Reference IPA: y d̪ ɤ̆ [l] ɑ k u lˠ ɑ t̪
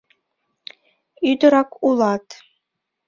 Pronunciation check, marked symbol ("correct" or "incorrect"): incorrect